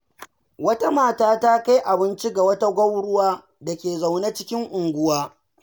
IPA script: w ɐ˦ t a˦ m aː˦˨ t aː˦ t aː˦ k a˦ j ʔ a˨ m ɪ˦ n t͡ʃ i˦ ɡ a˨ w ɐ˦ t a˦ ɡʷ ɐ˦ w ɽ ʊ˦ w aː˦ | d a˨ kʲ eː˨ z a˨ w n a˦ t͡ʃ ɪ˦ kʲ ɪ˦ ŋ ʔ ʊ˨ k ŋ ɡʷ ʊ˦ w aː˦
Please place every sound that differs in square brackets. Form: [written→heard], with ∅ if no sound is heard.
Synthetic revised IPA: w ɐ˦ t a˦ m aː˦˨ t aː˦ t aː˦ k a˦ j ʔ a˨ [m→b] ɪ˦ n t͡ʃ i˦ ɡ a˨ w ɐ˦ t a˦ ɡʷ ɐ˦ w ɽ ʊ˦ w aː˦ | d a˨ kʲ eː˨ z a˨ w n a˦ t͡ʃ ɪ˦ kʲ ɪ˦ ŋ ʔ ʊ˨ [k→∅] ŋ ɡʷ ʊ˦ w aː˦